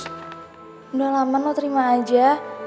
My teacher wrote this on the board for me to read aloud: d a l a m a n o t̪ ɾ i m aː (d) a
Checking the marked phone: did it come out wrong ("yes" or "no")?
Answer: yes